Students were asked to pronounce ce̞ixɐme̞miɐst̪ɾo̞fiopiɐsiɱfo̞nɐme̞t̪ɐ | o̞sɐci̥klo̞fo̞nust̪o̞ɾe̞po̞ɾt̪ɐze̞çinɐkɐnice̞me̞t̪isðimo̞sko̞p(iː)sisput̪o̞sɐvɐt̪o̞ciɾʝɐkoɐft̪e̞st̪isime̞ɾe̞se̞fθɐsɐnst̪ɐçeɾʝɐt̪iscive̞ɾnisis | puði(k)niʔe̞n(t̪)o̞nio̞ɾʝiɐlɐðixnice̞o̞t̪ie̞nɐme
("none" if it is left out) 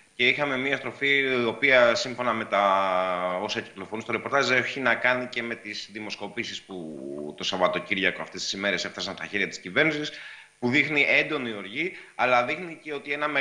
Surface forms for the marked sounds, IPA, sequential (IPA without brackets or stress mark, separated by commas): i, x, d̪